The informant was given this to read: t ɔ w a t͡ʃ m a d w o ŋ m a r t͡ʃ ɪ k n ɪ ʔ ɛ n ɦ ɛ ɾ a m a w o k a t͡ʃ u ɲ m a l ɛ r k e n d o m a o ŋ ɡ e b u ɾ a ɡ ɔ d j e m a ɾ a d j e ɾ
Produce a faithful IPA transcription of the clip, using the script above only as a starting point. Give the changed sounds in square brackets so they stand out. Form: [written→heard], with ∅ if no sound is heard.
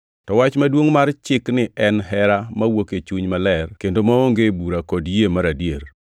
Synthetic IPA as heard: t ɔ w a t͡ʃ m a d w o ŋ m a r t͡ʃ ɪ k n ɪ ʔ ɛ n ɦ ɛ ɾ a m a w o k [a→e] t͡ʃ u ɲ m a l ɛ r k e n d o m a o ŋ ɡ e b u ɾ a [ɡ→k] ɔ d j e m a ɾ a d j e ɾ